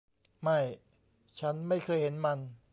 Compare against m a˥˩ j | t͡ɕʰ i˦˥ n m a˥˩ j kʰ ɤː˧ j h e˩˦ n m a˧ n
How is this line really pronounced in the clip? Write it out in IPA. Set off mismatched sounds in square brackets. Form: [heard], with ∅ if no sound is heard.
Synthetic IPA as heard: m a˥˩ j | t͡ɕʰ [a˦˥] n m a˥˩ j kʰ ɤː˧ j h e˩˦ n m a˧ n

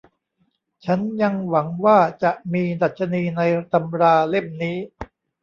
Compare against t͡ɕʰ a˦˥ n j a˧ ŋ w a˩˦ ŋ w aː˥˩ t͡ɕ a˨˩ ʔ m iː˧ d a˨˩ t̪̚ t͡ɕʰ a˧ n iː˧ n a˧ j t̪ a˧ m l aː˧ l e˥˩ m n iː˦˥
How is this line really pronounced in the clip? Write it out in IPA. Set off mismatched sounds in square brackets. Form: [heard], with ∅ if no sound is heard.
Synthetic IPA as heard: t͡ɕʰ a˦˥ n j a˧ ŋ w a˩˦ ŋ w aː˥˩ t͡ɕ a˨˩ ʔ m iː˧ d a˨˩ t̪̚ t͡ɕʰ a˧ n iː˧ n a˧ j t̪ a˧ m [ɾ] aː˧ l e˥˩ m n iː˦˥

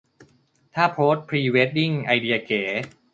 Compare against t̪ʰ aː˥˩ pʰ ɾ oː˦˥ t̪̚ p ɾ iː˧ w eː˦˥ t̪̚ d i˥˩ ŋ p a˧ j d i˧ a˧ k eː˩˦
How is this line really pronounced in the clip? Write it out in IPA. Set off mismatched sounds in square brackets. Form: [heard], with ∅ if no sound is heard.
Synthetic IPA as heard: t̪ʰ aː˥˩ pʰ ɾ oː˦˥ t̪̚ [pʰ] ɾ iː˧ w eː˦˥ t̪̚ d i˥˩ ŋ [ʔ] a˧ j d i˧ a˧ k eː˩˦

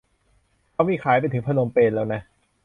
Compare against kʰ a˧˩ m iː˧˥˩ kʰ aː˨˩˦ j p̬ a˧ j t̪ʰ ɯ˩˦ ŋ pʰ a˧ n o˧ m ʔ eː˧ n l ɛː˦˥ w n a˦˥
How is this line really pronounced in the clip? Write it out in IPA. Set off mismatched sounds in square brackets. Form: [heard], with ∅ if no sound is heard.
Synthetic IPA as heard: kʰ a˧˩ m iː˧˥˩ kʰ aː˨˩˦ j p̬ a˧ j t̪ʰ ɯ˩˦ ŋ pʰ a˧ n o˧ m [p] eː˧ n l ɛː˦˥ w n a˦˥

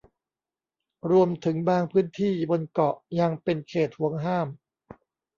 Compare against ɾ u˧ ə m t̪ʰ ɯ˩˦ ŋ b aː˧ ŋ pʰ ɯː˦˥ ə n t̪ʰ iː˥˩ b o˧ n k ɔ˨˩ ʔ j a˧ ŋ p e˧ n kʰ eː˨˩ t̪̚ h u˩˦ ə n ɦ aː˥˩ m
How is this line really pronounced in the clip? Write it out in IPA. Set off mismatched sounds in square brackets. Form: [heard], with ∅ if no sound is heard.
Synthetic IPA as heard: ɾ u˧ ə m t̪ʰ ɯ˩˦ ŋ b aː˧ ŋ pʰ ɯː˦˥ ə n t̪ʰ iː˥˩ b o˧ n k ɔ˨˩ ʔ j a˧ ŋ p e˧ n kʰ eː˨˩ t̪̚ h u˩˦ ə [ŋ] ɦ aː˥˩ m

